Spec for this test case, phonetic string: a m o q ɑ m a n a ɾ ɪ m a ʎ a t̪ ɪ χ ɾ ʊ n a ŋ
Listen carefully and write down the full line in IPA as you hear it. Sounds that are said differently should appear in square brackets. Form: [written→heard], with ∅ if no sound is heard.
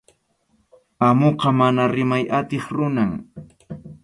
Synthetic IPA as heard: a m o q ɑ m a n a ɾ ɪ m a [ʎ→j] a t̪ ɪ χ ɾ ʊ n a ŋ